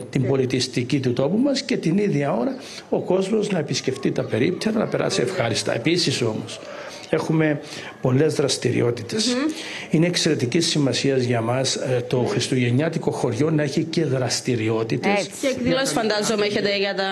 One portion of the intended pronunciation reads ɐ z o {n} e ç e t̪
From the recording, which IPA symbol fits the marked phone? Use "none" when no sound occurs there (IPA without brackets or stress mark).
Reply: m